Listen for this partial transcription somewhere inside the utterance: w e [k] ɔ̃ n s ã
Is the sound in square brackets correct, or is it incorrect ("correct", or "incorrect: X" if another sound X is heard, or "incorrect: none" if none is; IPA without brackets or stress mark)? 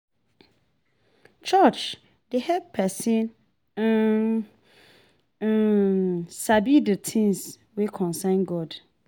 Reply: incorrect: kʰ